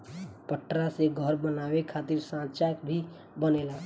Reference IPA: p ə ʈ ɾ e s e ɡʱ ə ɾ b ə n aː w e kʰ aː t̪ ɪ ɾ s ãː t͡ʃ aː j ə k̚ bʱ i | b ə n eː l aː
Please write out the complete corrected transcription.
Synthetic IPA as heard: p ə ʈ ɾ a s e ɡʱ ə ɾ b ə n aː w e kʰ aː t̪ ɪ ɾ s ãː t͡ʃ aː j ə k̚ bʱ i | b ə n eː l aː